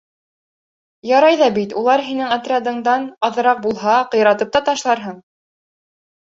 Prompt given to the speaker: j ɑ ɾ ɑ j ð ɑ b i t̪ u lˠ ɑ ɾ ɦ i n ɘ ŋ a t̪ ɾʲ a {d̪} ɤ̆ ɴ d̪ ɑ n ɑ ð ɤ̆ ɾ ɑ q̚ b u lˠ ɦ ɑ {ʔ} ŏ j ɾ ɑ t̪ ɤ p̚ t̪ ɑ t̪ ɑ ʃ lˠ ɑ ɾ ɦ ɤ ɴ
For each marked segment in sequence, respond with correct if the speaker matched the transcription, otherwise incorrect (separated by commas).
correct, incorrect